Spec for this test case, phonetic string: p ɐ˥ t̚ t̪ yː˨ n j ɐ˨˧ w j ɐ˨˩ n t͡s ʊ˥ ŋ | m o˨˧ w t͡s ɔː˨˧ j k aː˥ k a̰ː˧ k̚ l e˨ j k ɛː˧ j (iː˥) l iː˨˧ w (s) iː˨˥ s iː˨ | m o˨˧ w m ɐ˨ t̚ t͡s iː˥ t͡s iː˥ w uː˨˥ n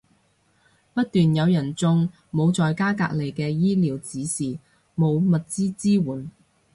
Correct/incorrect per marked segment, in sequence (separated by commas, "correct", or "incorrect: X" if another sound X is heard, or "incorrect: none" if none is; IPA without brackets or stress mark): correct, incorrect: t͡s